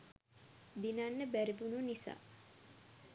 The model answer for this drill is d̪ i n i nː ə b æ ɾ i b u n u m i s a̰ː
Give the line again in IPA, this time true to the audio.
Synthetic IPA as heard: d̪ i n a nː ə b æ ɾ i b u n u n i s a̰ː